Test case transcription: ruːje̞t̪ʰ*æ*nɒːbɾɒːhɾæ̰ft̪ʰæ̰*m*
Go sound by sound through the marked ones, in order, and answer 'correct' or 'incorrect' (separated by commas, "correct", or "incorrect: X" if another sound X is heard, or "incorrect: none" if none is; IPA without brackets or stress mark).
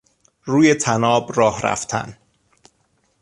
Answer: correct, incorrect: n